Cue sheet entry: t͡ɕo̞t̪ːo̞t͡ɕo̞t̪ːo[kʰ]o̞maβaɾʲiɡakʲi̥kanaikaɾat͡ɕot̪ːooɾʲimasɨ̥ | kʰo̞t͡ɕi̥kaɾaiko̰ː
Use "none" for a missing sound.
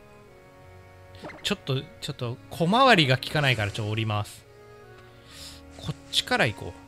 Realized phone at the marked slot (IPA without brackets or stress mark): kʰ